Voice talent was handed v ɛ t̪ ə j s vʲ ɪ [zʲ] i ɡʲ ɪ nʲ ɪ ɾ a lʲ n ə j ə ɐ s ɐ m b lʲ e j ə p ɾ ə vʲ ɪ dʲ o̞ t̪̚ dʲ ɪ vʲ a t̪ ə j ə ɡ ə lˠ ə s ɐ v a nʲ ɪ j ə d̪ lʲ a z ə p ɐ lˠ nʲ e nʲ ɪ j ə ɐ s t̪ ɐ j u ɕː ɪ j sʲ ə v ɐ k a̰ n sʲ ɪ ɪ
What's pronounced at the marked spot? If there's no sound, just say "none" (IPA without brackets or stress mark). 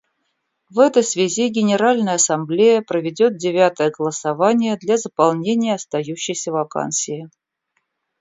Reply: zʲ